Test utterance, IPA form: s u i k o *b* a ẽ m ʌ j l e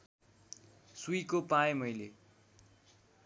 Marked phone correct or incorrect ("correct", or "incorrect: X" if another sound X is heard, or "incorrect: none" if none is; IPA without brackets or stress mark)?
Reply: incorrect: p